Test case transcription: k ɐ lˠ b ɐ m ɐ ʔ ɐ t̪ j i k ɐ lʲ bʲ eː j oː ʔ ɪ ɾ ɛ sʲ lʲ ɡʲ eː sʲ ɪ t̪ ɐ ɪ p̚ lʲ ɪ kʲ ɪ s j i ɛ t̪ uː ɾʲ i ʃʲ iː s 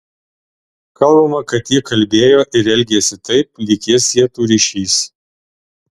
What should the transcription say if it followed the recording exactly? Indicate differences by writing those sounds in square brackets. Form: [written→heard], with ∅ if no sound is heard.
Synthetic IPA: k ɐ lˠ b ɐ m ɐ [ʔ→k] ɐ t̪ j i k ɐ lʲ bʲ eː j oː ʔ ɪ ɾ ɛ [sʲ→∅] lʲ ɡʲ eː sʲ ɪ t̪ ɐ ɪ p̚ lʲ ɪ kʲ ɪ s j i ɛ t̪ uː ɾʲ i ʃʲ iː s